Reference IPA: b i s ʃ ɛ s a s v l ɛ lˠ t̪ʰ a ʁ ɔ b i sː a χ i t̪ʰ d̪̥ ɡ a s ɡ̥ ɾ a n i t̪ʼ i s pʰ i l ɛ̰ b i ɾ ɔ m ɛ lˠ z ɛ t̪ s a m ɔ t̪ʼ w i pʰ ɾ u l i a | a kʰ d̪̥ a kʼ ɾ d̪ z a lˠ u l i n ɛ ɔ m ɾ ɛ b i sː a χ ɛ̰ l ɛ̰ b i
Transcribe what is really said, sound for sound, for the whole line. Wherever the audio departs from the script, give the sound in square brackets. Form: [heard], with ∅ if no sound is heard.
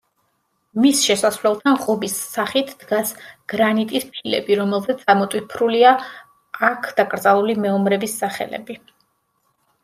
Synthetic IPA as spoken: [m] i s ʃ ɛ s a s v l ɛ lˠ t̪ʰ a ʁ ɔ b i sː a χ i t̪ʰ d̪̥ ɡ a s ɡ̥ ɾ a n i t̪ʼ i s pʰ i l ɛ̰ b i ɾ ɔ m ɛ lˠ z ɛ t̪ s a m ɔ t̪ʼ w i pʰ ɾ u l i a | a kʰ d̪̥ a kʼ ɾ d̪ z a lˠ u l i [m] ɛ ɔ m ɾ ɛ b i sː a χ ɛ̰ l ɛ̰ b i

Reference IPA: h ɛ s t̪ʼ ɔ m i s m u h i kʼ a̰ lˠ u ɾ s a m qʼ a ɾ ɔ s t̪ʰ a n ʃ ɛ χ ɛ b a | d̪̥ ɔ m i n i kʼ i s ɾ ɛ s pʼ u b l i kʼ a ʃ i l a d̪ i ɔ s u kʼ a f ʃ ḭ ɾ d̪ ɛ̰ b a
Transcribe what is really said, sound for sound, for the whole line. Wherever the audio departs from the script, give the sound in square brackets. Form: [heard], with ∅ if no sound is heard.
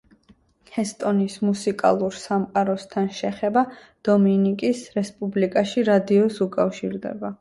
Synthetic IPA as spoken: h ɛ s t̪ʼ ɔ [n] i s m u [s] i kʼ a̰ lˠ u ɾ s a m qʼ a ɾ ɔ s t̪ʰ a n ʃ ɛ χ ɛ b a | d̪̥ ɔ m i n i kʼ i s ɾ ɛ s pʼ u b l i kʼ a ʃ i [ɾ] a d̪ i ɔ s u kʼ a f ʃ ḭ ɾ d̪ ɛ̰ b a

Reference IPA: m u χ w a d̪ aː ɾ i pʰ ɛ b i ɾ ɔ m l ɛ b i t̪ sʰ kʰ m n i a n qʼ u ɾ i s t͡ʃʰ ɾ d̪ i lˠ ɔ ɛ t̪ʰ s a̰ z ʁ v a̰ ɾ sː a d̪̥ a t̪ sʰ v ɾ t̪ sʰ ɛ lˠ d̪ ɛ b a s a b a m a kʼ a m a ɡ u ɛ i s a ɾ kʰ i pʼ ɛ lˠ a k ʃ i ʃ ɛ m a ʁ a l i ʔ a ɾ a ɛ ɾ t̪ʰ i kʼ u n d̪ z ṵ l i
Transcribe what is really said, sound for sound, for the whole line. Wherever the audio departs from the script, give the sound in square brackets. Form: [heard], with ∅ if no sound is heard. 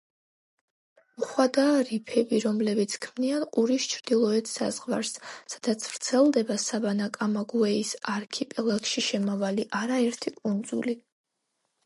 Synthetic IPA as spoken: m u χ w a d̪ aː ɾ i pʰ ɛ b i ɾ ɔ m l ɛ b i t̪ sʰ kʰ m n i a n qʼ u ɾ i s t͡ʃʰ ɾ d̪ i lˠ ɔ ɛ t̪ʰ s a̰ z ʁ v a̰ ɾ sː a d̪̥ a t̪ sʰ v ɾ t̪ sʰ ɛ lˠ d̪ ɛ b a s a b a [n] a kʼ a m a ɡ u ɛ i s a ɾ kʰ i pʼ ɛ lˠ a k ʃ i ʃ ɛ m a [v] a l i ʔ a ɾ a ɛ ɾ t̪ʰ i kʼ u n d̪ z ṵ l i

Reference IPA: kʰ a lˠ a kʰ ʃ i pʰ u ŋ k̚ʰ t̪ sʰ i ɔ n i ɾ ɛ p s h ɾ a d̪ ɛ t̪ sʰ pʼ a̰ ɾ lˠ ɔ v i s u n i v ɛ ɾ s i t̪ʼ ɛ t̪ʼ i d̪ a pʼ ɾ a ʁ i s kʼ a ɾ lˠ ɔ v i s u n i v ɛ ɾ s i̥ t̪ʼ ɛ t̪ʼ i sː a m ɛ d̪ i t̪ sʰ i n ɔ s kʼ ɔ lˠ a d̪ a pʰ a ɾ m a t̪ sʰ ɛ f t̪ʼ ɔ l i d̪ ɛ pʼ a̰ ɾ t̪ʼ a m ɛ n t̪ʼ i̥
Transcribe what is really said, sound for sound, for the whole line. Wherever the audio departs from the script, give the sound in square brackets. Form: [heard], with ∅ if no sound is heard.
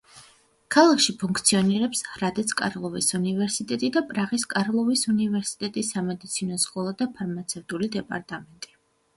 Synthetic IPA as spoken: kʰ a lˠ a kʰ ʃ i pʰ u ŋ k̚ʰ t̪ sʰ i ɔ n i ɾ ɛ p s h ɾ a d̪ ɛ t̪ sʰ [kʼ] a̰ ɾ lˠ ɔ v i s u n i v ɛ ɾ s i t̪ʼ ɛ t̪ʼ i d̪ a pʼ ɾ a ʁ i s kʼ a ɾ lˠ ɔ v i s u n i v ɛ ɾ s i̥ t̪ʼ ɛ t̪ʼ i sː a m ɛ d̪ i t̪ sʰ i n ɔ s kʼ ɔ lˠ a d̪ a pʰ a ɾ m a t̪ sʰ ɛ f t̪ʼ [u] l i d̪ ɛ pʼ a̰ ɾ t̪ʼ a m ɛ n t̪ʼ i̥

